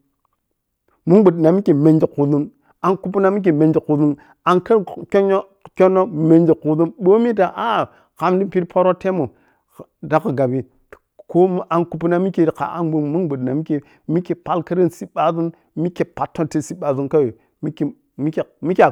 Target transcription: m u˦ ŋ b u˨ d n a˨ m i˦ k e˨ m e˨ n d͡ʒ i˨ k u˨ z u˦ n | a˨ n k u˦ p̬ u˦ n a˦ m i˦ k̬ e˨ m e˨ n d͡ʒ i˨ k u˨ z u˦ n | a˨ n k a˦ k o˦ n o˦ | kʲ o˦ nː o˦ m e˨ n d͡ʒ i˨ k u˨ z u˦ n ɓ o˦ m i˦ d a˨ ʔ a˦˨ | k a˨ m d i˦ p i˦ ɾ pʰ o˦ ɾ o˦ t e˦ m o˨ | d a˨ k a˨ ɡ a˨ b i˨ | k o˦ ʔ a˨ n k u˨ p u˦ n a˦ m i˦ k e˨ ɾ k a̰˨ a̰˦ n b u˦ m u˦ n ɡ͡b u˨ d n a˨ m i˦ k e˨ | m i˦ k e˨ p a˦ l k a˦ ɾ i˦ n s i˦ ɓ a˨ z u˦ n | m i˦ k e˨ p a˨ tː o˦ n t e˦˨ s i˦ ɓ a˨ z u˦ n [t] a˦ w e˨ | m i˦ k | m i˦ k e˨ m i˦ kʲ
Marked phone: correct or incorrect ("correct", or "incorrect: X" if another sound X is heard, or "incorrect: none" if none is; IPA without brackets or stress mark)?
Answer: incorrect: k